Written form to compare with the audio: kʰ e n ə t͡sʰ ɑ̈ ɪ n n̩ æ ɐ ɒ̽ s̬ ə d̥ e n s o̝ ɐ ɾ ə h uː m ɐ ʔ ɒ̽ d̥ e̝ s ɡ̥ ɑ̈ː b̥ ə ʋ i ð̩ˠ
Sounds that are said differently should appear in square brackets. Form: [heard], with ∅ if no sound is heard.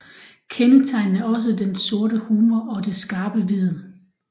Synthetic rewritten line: kʰ e n ə t͡sʰ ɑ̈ ɪ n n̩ æ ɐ ɒ̽ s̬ ə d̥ e n s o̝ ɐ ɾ ə h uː m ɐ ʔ ɒ̽ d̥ e̝ s ɡ̥ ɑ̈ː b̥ ə ʋ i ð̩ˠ